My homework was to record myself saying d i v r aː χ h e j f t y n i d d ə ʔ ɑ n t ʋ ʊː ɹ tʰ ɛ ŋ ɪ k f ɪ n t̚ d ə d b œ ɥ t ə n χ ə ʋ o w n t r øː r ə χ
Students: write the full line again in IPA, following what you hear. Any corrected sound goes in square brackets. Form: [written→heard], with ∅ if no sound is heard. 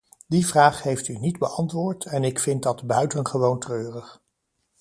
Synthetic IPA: d i v r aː χ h e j f t y n i d [d→b] ə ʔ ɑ n t ʋ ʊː ɹ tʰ ɛ [ŋ→n] ɪ k f ɪ n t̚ d [ə→ɑ] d b œ ɥ t ə n χ ə ʋ o w n t r øː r ə χ